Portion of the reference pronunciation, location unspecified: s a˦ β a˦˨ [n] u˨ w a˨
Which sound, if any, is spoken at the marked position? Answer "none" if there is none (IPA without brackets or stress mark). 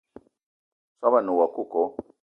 n